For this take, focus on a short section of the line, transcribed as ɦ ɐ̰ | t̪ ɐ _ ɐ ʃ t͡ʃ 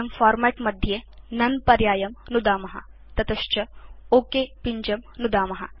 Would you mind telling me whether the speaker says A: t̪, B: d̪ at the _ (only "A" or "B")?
A